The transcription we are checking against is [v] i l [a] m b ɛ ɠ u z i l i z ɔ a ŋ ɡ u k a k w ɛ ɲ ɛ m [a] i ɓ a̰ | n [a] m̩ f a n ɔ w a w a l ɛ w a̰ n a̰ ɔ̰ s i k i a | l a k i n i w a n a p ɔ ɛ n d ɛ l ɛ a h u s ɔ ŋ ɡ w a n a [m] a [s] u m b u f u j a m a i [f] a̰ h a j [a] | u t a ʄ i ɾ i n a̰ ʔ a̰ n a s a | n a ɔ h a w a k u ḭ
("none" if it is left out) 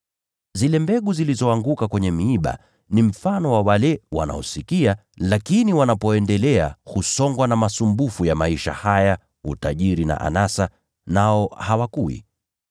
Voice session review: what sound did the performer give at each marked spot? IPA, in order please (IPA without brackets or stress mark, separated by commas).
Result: z, ɛ, i, i, m, s, ʃ, a